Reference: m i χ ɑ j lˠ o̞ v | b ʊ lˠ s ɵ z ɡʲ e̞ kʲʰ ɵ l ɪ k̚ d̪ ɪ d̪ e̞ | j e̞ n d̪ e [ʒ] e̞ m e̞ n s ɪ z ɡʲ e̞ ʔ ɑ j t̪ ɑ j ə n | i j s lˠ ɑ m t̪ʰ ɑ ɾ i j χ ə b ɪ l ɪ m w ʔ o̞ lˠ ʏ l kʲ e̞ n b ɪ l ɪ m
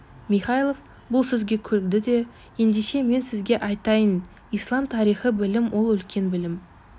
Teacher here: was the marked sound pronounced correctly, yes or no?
no